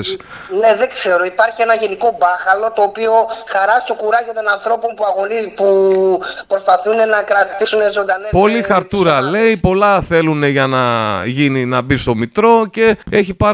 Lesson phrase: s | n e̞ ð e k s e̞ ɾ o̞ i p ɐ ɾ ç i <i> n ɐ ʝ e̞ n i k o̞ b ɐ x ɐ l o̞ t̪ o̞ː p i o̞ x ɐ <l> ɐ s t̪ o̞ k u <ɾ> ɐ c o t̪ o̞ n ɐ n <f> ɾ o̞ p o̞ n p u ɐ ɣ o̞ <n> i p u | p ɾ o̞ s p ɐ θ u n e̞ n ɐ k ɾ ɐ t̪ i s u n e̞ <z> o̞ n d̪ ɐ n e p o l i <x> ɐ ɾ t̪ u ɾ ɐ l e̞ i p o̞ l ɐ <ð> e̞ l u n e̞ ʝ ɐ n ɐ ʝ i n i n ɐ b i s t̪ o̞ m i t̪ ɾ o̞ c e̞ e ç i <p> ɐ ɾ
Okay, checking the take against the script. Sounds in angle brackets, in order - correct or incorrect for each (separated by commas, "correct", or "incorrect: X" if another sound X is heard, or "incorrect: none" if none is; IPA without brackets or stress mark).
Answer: incorrect: e, incorrect: ɾ, correct, incorrect: θ, correct, correct, correct, incorrect: θ, correct